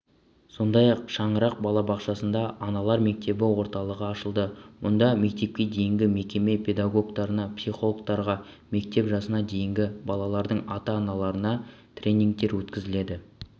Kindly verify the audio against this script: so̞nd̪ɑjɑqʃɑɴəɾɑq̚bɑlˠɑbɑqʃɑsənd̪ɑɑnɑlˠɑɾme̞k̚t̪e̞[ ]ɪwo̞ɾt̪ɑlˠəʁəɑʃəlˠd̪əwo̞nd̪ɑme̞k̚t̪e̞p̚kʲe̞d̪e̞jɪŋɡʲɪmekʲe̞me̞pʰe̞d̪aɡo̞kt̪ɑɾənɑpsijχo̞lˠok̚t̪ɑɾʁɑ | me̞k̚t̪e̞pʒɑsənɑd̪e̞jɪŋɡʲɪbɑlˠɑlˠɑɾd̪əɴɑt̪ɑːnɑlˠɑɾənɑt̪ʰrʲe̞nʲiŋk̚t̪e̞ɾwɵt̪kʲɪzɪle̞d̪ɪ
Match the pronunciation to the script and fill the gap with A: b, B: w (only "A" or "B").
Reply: A